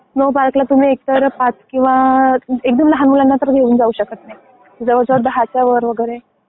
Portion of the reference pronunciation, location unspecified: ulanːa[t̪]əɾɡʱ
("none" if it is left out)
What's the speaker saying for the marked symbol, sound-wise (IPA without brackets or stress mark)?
t̪